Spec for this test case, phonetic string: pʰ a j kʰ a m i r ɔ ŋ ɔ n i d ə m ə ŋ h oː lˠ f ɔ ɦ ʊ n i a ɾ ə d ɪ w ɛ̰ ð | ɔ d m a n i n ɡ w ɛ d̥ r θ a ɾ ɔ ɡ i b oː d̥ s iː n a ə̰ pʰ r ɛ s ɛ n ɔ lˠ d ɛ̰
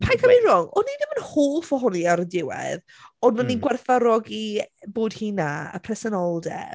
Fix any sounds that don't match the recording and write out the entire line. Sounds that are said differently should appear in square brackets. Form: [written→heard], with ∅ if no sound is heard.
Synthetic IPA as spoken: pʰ a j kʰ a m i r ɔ ŋ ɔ n i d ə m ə [ŋ→n] h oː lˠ f ɔ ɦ ʊ n i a ɾ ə d ɪ w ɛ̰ ð | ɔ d m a n i n ɡ w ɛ [d̥→∅] r θ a ɾ ɔ ɡ i b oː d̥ [s→h] iː n a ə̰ pʰ r ɛ s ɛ n ɔ lˠ d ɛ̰